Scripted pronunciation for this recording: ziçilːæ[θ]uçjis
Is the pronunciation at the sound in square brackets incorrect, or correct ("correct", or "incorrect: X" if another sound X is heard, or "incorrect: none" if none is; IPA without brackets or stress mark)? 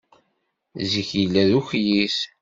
incorrect: ð